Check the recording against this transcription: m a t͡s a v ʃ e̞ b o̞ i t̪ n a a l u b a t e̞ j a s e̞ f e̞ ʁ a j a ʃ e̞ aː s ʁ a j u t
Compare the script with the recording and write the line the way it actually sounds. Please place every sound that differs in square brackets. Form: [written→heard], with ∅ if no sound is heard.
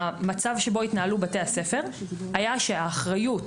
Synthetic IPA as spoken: m a t͡s a v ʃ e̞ b o̞ i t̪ n a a l u b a t e̞ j a s e̞ f e̞ ʁ a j a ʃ e̞ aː [s→χ] ʁ a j u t